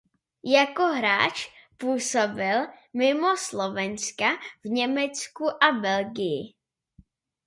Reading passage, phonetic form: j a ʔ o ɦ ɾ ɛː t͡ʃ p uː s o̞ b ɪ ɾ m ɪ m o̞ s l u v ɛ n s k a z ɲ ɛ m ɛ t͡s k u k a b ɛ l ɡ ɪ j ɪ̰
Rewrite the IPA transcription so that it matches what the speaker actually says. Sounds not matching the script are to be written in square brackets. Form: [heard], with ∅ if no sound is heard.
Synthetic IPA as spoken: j a [k] o ɦ ɾ [aː] t͡ʃ p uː s o̞ b ɪ [l] m ɪ m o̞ s l [o] v ɛ n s k a [v] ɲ ɛ m ɛ t͡s k u [ʔ] a b ɛ l ɡ ɪ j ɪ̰